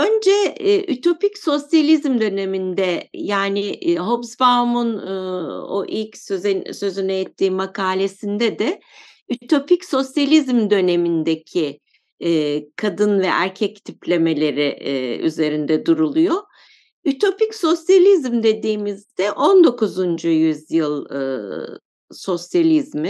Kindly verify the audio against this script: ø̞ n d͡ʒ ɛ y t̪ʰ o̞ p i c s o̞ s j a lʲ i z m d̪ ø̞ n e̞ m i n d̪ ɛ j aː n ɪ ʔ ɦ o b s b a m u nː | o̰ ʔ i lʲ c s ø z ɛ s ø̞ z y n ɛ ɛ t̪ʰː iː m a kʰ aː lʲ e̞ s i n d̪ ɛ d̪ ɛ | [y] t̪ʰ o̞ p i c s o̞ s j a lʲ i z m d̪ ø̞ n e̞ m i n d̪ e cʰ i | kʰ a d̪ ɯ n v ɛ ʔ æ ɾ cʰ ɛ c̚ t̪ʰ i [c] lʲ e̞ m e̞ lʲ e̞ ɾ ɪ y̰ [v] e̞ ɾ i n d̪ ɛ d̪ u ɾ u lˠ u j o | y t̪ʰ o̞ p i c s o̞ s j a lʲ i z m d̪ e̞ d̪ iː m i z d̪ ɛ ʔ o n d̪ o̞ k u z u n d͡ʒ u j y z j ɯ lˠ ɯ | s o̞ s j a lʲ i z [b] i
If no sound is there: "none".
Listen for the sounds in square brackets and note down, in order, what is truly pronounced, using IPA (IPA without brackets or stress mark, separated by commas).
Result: y, p, z, m